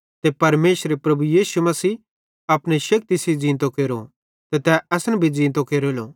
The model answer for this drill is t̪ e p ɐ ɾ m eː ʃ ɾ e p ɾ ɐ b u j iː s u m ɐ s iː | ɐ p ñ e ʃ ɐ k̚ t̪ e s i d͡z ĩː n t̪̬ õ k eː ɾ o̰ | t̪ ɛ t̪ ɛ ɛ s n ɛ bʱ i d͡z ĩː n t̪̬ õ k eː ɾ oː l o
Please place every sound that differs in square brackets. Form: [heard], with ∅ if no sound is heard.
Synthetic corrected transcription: t̪ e p ɐ ɾ m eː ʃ ɾ e p ɾ ɐ b u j iː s u m ɐ s iː | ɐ p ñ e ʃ ɐ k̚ t̪ [i] s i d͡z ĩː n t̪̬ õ k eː ɾ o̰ | t̪ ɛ t̪ ɛ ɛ s n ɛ bʱ i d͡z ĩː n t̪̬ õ k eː ɾ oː l o